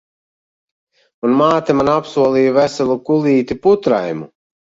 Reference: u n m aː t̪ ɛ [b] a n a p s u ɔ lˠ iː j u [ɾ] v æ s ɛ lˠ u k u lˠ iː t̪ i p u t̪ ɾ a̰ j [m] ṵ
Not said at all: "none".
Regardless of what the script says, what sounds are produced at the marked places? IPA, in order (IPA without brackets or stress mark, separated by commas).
m, none, m